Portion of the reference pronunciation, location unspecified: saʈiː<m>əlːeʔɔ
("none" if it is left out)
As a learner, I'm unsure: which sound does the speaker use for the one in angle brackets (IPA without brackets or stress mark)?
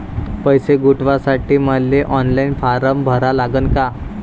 m